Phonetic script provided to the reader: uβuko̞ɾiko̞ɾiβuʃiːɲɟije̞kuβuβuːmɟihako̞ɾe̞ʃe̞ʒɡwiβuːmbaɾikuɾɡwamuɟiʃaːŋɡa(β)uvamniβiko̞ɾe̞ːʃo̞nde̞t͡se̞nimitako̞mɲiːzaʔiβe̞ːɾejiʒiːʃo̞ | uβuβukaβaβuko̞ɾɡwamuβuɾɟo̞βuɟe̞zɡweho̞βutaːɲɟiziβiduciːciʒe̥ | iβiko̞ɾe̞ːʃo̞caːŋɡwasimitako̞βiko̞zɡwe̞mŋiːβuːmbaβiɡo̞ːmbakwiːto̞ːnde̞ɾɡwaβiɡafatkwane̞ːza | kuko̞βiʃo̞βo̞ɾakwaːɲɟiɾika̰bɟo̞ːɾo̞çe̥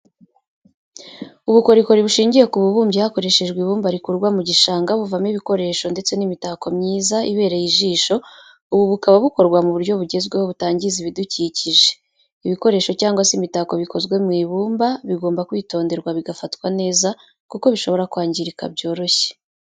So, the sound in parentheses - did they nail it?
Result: yes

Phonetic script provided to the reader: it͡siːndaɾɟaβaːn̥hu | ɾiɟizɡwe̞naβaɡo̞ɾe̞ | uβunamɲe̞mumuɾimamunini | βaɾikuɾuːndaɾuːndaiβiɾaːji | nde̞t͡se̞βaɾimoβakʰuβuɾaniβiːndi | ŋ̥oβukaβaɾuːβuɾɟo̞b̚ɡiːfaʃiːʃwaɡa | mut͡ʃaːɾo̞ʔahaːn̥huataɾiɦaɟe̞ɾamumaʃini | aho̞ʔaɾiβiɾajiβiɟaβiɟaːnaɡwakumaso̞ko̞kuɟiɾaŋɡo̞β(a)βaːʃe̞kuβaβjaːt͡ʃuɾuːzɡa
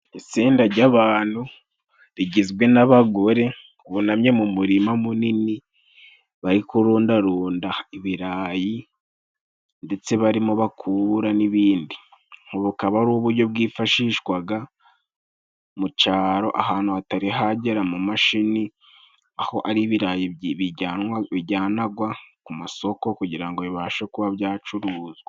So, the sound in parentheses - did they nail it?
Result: no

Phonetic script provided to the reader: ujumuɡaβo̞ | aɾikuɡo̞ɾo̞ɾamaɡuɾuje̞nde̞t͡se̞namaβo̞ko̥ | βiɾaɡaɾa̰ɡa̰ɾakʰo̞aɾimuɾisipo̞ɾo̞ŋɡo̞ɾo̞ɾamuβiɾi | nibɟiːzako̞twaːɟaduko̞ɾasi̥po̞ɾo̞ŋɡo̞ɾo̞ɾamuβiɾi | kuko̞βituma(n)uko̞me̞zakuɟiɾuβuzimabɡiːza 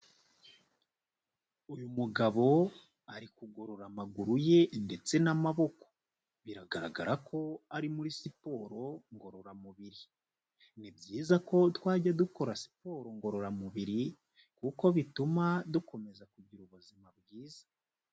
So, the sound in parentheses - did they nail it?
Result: no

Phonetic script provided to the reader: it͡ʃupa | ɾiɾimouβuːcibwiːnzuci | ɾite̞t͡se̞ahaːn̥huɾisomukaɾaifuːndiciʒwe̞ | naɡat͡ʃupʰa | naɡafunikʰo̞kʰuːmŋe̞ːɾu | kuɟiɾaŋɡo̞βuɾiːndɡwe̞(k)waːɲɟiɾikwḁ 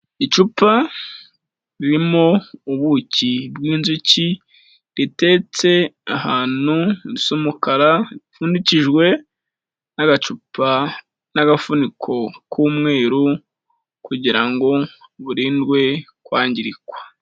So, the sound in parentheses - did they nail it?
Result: yes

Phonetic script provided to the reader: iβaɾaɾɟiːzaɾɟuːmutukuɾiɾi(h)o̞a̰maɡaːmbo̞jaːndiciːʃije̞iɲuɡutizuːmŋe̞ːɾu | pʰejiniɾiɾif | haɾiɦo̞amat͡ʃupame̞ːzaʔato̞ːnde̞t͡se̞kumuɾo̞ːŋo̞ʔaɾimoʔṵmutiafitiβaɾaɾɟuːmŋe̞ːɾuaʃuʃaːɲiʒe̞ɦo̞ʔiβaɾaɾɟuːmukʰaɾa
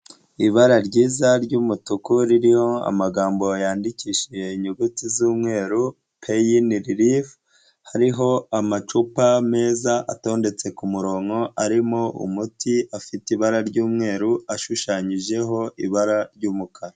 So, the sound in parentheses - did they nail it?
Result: yes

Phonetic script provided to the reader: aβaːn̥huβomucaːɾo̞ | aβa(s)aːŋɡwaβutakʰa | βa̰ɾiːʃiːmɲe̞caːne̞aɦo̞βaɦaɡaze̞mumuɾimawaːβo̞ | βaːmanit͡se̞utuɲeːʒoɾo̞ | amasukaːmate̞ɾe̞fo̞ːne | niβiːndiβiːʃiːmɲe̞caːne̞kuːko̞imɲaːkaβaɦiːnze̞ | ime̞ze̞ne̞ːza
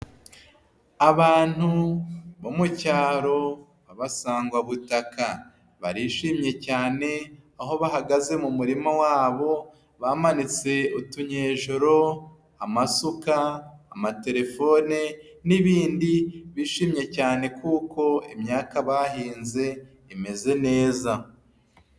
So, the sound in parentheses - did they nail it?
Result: yes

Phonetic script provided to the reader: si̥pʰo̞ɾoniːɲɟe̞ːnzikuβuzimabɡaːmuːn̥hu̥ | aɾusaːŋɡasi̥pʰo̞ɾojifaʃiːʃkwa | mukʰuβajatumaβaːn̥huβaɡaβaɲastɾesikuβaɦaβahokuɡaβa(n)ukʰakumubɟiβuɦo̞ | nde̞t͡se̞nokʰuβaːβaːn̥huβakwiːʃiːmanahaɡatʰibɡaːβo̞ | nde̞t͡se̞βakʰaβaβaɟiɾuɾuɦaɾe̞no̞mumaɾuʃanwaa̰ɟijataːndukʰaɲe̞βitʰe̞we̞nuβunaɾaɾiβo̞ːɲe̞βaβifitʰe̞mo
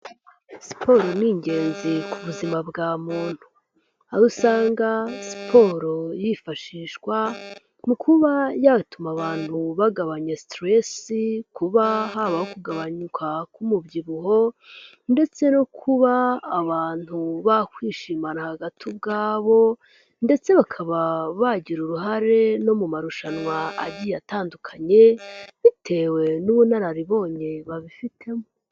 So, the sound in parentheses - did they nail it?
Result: no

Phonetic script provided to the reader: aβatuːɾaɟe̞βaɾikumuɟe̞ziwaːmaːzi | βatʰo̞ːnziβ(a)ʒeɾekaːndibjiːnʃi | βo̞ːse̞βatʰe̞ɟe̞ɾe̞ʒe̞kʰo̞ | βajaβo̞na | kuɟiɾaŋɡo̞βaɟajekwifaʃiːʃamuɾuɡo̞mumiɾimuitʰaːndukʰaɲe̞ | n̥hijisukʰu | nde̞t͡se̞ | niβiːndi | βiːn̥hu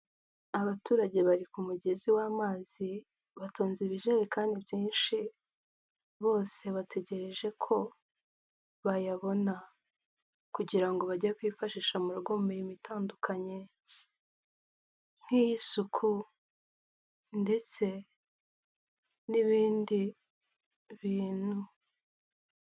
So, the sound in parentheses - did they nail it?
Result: no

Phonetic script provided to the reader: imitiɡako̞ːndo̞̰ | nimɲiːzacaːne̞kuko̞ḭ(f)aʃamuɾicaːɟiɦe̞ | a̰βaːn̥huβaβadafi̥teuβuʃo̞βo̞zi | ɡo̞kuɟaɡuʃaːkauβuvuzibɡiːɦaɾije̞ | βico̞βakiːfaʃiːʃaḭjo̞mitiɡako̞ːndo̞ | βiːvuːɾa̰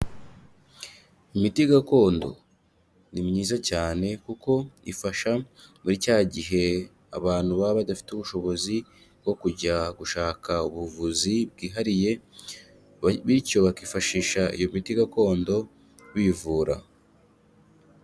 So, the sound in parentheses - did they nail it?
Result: yes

